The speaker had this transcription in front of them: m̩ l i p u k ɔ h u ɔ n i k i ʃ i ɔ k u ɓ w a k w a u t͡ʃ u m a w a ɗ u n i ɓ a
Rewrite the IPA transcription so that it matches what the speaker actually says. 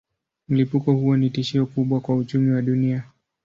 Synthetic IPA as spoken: m̩ l i p u k ɔ h u ɔ n i t i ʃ i ɔ k u ɓ w a k w a u t͡ʃ u m i w a ɗ u n i a